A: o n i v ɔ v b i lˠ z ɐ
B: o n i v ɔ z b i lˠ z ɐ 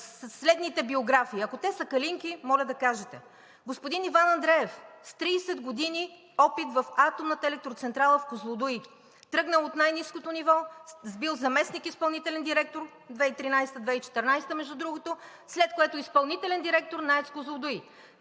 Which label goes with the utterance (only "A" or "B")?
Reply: B